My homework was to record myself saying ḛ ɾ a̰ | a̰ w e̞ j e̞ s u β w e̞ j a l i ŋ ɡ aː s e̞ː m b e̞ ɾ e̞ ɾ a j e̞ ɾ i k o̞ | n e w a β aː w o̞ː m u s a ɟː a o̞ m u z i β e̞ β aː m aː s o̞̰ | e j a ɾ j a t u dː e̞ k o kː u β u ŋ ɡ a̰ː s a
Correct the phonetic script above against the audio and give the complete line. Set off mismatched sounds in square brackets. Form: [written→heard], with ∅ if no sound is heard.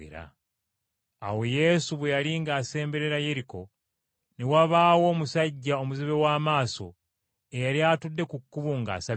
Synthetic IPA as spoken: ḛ ɾ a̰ | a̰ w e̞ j e̞ s u β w e̞ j a l i ŋ ɡ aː s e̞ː m b e̞ ɾ e̞ ɾ a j e̞ ɾ i k o̞ | n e w a β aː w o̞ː m u s a ɟː a o̞ m u z i β e̞ [β→w] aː m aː s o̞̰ | e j a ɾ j a t u dː e̞ k [o→u] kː u β u ŋ ɡ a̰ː s a